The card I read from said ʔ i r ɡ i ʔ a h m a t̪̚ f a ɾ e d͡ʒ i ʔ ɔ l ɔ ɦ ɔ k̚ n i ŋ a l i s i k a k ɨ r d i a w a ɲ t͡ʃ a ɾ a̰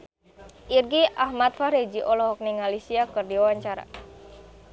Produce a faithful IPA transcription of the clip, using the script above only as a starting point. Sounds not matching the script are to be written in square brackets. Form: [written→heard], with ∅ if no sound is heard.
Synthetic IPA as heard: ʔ i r ɡ i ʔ a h m a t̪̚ f a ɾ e d͡ʒ i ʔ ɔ l ɔ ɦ ɔ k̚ n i ŋ a l i s i [k→∅] a k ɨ r d i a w a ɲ t͡ʃ a ɾ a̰